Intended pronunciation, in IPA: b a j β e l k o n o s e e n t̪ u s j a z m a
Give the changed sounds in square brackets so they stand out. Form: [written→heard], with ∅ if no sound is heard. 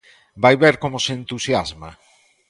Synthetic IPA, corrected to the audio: b a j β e [l→ɾ] k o [n→m] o s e e n t̪ u s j a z m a